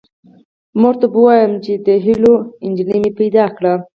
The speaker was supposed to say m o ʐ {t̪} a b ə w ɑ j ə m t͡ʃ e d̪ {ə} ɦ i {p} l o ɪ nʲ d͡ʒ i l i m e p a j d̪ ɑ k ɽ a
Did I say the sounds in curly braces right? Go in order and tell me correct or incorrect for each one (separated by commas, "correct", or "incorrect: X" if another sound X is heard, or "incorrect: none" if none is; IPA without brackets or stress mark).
correct, correct, incorrect: none